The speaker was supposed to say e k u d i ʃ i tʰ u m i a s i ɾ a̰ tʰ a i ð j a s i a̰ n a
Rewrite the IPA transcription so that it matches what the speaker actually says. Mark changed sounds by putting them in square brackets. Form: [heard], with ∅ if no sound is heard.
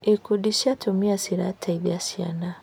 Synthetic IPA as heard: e k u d i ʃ [a] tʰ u m i a s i ɾ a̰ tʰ a i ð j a s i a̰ n a